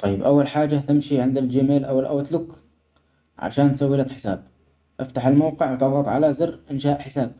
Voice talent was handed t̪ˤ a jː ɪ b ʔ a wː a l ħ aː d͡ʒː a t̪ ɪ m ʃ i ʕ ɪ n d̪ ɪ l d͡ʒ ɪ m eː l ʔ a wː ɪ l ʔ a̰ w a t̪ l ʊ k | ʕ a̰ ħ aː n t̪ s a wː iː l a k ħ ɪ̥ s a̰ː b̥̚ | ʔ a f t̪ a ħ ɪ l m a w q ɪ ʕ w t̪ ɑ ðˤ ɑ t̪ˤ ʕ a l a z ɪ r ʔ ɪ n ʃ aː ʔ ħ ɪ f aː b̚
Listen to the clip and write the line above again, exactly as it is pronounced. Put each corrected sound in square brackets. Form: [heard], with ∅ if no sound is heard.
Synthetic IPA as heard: t̪ˤ [ɑ] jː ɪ b ʔ a wː a l ħ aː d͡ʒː a t̪ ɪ m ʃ i ʕ ɪ n d̪ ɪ l d͡ʒ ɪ m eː l ʔ a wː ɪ l ʔ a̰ w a t̪ l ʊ k | ʕ a̰ [ʃ] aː n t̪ s a wː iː l a k ħ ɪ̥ s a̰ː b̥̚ | ʔ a f t̪ a ħ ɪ l m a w q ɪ ʕ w t̪ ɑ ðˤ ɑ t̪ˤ ʕ a l a z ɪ r ʔ ɪ n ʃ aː ʔ ħ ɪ [s] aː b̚